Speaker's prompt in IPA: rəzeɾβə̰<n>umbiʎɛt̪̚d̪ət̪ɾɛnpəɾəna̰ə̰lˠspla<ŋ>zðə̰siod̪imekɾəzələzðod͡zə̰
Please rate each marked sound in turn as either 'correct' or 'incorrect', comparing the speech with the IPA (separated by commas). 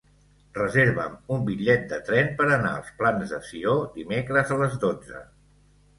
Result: incorrect, incorrect